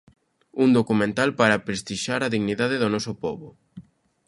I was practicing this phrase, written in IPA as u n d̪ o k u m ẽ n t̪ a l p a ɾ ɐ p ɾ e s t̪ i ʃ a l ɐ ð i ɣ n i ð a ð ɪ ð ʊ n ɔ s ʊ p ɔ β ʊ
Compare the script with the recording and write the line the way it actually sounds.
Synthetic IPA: u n d̪ o k u m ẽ n t̪ a l p a ɾ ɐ p ɾ e s t̪ i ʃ a ɾ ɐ ð i ɣ n i ð a ð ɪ ð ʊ n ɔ s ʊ p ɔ β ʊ